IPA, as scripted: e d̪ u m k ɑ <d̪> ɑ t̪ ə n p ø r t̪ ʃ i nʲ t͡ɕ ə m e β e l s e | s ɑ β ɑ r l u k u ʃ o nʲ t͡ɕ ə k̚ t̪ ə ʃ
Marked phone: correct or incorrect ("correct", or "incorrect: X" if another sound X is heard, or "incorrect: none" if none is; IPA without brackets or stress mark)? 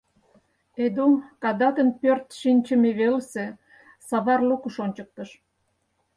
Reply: correct